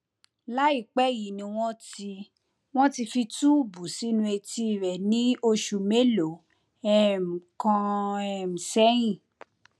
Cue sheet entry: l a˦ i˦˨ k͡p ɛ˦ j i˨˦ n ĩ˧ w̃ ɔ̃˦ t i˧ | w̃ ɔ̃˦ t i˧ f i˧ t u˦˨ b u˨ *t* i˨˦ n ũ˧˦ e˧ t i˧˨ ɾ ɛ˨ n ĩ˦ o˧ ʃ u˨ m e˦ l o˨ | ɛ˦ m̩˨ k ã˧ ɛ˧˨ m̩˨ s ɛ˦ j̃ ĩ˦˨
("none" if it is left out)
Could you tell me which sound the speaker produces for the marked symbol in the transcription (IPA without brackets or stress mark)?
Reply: s